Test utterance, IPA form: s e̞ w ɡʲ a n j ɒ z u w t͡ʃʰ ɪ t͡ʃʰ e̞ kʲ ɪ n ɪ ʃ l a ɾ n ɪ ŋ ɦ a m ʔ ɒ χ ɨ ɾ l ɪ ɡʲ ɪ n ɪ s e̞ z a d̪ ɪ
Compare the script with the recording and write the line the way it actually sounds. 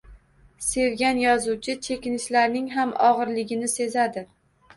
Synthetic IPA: s e̞ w ɡʲ a n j ɒ z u w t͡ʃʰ ɪ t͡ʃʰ e̞ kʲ ɪ n ɪ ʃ l a ɾ n ɪ ŋ ɦ a m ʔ ɒ ʁ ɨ ɾ l ɪ ɡʲ ɪ n ɪ s e̞ z a d̪ ɪ